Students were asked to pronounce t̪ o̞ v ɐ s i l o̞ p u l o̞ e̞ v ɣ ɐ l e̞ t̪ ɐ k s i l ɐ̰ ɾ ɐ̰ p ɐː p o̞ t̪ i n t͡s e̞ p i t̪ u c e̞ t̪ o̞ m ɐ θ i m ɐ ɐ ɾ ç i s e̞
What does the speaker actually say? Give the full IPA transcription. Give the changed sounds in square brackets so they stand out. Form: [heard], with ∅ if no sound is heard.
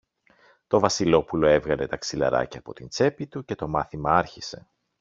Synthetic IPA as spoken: t̪ o̞ v ɐ s i l o̞ p u l o̞ e̞ v ɣ ɐ l e̞ t̪ ɐ k s i l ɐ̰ ɾ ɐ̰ [c] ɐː p o̞ t̪ i n t͡s e̞ p i t̪ u c e̞ t̪ o̞ m ɐ θ i m ɐ ɐ ɾ ç i s e̞